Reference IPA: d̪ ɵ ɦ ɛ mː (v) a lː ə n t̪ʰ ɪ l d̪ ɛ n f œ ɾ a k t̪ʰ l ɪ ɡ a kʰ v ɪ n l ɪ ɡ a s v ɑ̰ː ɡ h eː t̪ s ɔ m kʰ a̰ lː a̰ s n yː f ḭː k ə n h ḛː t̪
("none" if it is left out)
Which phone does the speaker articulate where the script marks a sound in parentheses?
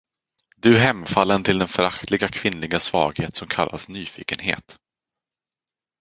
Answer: f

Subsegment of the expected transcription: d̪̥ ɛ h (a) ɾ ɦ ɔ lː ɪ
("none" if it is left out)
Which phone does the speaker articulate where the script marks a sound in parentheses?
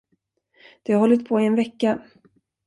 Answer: a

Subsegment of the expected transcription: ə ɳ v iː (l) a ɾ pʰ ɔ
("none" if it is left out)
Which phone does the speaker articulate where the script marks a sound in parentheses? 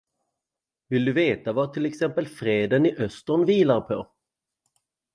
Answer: l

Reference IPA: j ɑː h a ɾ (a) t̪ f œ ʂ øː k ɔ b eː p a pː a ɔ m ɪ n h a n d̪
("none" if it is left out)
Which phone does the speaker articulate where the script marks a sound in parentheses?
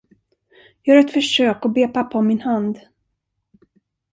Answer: ɛ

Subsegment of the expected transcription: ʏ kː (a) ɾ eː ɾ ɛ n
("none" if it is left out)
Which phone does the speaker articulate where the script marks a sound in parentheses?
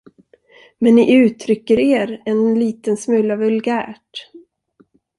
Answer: ə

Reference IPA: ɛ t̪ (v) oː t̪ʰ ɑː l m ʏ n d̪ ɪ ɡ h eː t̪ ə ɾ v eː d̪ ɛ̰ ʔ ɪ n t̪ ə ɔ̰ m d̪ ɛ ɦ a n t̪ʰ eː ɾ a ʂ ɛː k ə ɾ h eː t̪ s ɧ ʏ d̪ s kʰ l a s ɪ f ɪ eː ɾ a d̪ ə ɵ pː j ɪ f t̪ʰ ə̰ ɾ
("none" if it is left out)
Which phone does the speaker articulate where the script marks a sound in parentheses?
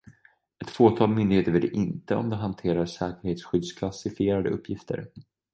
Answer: f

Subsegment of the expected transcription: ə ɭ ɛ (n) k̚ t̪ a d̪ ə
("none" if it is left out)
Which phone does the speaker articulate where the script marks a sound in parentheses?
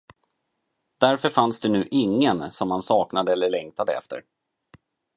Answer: ŋ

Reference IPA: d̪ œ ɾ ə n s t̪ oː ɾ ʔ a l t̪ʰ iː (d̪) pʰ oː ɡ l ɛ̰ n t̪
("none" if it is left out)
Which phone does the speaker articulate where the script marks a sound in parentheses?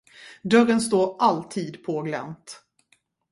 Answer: d̪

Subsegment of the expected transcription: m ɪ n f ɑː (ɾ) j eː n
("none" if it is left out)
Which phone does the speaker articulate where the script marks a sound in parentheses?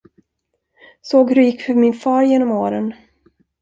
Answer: ɾ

